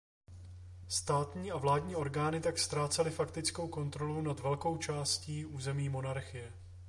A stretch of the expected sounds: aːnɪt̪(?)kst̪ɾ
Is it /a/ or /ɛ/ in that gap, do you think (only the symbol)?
a